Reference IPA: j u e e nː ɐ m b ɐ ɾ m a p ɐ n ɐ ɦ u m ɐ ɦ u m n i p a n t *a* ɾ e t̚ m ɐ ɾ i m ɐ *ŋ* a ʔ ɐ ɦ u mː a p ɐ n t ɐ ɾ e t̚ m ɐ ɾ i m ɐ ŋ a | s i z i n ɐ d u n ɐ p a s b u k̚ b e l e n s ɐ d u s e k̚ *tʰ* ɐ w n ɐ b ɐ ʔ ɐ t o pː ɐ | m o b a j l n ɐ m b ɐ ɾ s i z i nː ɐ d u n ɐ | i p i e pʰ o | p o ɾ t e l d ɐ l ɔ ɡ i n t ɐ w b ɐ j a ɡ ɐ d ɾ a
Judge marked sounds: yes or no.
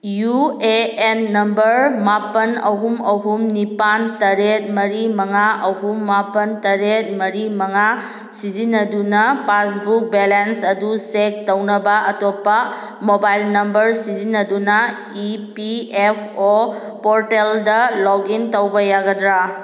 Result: no, yes, no

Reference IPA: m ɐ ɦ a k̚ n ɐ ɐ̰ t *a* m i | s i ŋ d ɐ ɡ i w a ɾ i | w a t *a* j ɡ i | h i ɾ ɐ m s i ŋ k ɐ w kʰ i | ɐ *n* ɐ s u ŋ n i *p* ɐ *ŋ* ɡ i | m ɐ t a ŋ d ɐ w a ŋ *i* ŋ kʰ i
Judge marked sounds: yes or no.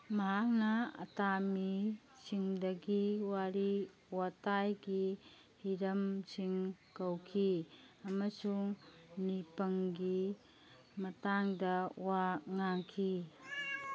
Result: yes, yes, no, yes, yes, no

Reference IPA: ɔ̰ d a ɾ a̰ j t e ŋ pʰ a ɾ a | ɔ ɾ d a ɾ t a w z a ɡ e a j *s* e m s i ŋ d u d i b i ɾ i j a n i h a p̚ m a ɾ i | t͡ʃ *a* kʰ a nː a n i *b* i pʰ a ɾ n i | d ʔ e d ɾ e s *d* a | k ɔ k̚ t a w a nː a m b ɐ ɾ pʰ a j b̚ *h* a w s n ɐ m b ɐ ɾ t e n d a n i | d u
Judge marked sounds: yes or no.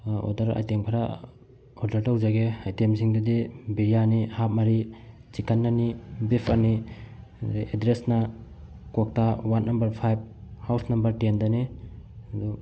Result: no, no, yes, no, yes

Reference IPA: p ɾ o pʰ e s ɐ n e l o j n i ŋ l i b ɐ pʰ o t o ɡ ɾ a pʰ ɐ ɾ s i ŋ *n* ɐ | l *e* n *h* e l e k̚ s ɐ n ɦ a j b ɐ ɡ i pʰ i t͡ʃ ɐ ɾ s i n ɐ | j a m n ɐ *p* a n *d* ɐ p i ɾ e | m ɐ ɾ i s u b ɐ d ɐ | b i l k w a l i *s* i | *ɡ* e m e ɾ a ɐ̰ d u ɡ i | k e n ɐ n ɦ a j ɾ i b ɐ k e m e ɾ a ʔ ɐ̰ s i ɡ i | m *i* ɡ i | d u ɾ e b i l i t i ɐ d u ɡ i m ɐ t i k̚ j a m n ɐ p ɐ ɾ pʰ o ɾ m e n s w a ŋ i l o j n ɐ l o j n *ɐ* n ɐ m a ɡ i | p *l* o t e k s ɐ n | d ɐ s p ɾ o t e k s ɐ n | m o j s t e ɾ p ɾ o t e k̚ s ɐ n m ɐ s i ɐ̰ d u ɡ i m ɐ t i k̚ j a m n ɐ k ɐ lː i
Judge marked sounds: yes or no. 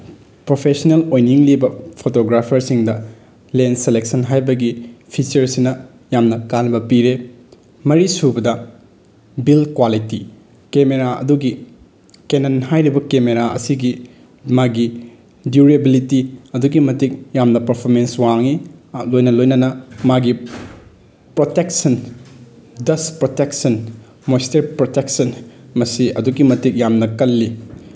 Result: no, yes, no, no, no, no, no, no, yes, no

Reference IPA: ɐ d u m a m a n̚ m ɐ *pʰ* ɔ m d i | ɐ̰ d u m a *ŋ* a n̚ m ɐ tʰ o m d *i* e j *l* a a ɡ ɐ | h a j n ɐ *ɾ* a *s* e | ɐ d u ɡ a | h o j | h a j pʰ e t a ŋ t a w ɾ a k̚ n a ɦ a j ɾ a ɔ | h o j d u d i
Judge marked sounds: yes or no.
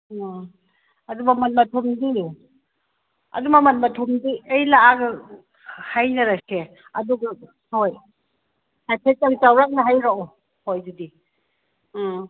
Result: no, no, yes, yes, yes, yes

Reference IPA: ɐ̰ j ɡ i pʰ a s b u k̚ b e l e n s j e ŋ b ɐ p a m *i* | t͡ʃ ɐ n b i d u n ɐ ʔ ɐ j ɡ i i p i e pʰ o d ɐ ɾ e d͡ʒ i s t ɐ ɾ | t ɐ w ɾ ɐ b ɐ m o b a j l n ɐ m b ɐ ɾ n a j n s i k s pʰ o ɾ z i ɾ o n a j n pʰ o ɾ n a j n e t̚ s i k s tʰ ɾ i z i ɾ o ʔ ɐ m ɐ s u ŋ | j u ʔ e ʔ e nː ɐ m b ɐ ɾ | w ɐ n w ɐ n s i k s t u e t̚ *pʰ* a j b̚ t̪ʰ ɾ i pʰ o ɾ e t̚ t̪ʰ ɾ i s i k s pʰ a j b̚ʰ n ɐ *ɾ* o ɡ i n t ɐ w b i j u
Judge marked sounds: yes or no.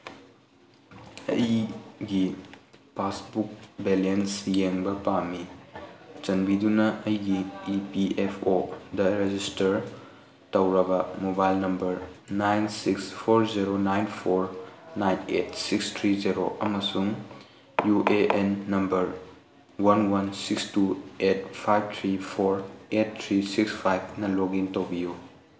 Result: yes, yes, no

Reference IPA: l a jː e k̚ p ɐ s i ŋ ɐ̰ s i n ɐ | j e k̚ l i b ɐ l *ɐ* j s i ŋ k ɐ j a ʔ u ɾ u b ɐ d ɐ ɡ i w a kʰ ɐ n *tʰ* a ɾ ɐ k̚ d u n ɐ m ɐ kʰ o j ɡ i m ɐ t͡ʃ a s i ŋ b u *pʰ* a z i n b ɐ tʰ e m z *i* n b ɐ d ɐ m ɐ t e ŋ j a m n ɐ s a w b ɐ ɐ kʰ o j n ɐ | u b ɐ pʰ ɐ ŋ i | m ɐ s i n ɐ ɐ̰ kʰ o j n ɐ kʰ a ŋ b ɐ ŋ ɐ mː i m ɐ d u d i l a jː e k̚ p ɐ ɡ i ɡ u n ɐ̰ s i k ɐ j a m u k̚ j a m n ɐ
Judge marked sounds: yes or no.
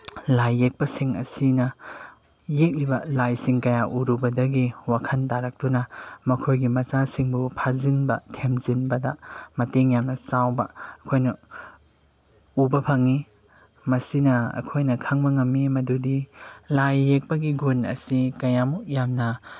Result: no, no, yes, yes

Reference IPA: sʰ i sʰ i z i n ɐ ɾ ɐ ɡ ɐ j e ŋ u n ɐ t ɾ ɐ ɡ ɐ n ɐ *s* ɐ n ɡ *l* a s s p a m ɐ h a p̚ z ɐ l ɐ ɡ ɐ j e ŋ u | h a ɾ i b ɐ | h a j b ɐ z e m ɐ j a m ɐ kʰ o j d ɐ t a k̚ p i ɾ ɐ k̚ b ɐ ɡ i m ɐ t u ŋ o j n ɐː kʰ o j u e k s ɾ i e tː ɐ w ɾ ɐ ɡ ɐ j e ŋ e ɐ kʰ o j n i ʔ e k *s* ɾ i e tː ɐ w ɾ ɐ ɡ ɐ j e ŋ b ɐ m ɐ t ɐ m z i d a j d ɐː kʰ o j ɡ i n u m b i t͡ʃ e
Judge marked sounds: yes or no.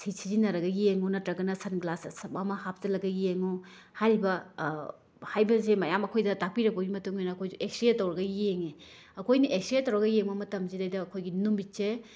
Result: yes, yes, yes

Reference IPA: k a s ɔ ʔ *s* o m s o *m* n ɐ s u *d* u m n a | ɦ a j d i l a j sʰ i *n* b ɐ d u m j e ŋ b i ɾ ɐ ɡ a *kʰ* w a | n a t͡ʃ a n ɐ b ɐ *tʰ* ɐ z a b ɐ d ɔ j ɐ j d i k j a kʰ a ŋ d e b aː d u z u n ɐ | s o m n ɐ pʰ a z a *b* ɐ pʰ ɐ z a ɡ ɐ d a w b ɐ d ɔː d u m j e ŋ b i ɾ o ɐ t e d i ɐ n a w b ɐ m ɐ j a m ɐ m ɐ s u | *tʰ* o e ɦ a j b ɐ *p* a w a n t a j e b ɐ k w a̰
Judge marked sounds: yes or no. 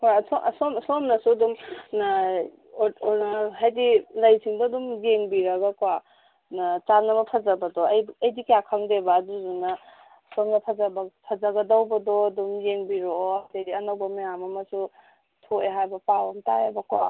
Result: yes, yes, yes, no, no, no, yes, yes, yes

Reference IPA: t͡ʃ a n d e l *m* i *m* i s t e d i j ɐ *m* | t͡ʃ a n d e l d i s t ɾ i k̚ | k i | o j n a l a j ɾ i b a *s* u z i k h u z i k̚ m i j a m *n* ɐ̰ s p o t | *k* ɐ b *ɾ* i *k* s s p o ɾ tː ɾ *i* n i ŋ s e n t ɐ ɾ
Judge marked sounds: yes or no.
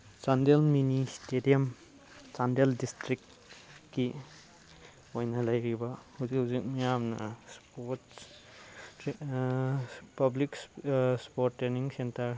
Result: yes, no, yes, no, yes, no, no, yes, no

